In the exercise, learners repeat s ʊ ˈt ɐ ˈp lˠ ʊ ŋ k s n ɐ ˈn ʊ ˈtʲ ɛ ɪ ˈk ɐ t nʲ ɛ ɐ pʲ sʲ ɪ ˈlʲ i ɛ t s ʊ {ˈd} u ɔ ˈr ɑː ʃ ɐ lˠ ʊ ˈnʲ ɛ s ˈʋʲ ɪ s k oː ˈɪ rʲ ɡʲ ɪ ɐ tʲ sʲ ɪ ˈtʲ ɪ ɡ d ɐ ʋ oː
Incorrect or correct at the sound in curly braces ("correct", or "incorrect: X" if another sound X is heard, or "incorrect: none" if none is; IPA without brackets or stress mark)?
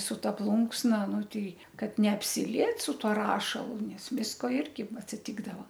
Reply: incorrect: t